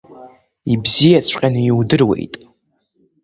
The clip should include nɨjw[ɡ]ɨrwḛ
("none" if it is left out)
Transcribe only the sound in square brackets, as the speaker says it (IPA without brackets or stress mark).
d